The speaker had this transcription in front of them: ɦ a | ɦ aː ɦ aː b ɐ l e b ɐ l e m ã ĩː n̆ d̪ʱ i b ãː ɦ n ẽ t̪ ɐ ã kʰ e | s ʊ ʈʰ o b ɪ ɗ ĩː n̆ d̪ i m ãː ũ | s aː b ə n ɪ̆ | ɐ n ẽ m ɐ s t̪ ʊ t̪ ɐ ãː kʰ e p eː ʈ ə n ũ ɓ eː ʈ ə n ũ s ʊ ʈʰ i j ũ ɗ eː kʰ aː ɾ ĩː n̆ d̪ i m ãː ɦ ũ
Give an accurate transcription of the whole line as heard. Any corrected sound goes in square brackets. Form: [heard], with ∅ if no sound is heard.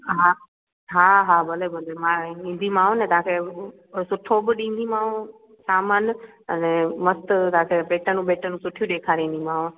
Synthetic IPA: ɦ a | ɦ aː ɦ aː b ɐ l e b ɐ l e m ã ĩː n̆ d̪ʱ i [m] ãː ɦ n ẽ t̪ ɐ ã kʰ e | s ʊ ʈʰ o b ɪ ɗ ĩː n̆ d̪ i m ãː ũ | s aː [m] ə n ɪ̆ | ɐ n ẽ m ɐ s t̪ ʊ t̪ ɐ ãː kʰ e p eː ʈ ə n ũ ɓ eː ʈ ə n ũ s ʊ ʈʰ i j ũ ɗ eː kʰ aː ɾ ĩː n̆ d̪ i m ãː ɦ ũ